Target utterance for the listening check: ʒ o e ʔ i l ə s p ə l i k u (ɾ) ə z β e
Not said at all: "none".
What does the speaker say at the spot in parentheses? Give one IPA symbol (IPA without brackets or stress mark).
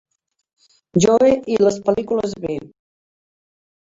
l